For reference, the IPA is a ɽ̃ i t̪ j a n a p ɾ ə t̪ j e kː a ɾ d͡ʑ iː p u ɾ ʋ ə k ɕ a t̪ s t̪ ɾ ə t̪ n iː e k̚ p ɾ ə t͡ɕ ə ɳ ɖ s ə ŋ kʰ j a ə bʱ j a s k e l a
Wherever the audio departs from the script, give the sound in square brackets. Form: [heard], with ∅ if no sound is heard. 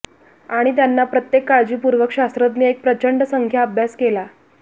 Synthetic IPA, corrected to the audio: a ɽ̃ i t̪ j a [nː] a p ɾ ə t̪ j e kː a [ɭ] d͡ʑ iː p u ɾ ʋ ə k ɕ a [∅] s t̪ ɾ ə t̪ n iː e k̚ p ɾ ə t͡ɕ ə ɳ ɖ s ə ŋ kʰ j a ə bʱ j a s k e l a